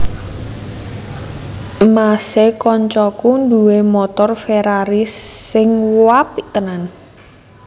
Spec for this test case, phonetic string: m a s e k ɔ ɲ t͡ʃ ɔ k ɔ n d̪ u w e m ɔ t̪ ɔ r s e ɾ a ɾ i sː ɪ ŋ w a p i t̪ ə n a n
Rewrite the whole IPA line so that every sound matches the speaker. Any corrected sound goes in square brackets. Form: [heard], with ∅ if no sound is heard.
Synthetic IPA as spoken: m a s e k ɔ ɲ t͡ʃ ɔ k [u] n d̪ u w e m ɔ t̪ ɔ r [f] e ɾ a ɾ i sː ɪ ŋ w a p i t̪ ə n a n